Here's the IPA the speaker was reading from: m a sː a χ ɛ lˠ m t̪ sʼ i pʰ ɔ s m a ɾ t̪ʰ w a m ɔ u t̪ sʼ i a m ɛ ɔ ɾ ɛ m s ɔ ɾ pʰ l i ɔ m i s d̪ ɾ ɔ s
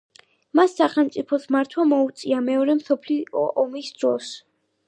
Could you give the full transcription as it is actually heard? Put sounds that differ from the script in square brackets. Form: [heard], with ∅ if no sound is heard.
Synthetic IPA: m a sː a χ ɛ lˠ m t̪ sʼ i pʰ ɔ s m a ɾ t̪ʰ w a m ɔ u t̪ sʼ i a m ɛ ɔ ɾ ɛ m s ɔ [∅] pʰ l i ɔ m i s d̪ ɾ ɔ s